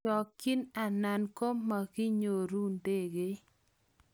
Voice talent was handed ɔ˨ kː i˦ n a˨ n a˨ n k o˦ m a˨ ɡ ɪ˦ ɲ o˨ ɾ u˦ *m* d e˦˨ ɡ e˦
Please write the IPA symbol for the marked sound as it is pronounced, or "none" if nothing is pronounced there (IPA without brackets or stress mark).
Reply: n